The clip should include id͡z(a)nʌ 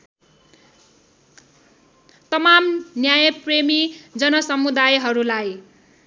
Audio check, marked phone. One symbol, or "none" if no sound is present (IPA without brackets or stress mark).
ʌ